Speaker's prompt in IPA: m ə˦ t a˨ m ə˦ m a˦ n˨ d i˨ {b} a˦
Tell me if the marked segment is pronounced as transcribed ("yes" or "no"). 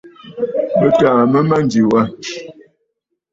no